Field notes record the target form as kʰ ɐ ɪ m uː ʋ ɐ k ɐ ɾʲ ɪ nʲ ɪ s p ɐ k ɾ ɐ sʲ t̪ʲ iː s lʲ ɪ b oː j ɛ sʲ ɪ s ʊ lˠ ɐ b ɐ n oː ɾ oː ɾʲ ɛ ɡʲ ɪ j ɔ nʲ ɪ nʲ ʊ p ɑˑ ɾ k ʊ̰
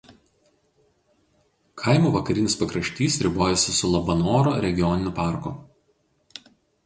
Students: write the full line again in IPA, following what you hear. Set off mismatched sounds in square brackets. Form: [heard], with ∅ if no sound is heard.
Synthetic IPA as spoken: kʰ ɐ ɪ m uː ʋ ɐ k ɐ ɾʲ ɪ nʲ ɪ s p ɐ k ɾ ɐ [ʃʲ] t̪ʲ iː s [ɾʲ] ɪ b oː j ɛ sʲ ɪ s ʊ lˠ ɐ b ɐ n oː ɾ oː ɾʲ ɛ ɡʲ ɪ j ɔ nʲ ɪ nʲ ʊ p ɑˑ ɾ k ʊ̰